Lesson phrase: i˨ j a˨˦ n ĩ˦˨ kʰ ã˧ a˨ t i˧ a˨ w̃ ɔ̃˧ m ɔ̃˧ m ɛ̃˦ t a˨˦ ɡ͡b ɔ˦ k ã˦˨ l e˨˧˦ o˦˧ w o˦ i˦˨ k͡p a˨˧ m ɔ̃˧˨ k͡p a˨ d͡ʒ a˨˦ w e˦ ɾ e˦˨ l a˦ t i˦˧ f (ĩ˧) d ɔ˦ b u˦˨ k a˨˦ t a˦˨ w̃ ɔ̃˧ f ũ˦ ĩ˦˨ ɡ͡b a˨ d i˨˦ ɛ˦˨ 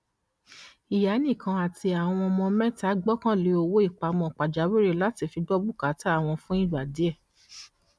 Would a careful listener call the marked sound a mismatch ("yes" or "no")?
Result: yes